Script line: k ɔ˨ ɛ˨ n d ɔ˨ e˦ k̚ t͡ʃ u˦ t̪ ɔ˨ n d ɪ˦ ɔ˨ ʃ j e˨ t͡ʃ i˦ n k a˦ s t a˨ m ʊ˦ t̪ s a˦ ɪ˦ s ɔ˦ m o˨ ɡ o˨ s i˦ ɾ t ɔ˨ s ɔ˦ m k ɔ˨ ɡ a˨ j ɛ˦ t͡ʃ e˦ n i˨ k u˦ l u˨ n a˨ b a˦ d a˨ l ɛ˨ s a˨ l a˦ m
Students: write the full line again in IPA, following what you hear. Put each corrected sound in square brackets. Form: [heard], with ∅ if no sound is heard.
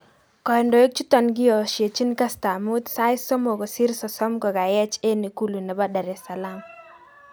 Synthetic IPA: k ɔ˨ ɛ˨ n d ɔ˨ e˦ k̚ t͡ʃ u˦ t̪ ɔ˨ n [ɡ] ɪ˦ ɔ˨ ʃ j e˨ t͡ʃ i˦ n k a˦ s t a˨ m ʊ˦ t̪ s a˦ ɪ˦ s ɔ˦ m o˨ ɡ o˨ s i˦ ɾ [s] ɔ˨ s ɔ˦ m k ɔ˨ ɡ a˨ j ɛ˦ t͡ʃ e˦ n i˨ k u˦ l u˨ n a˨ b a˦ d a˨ [ɾ] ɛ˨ s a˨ l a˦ m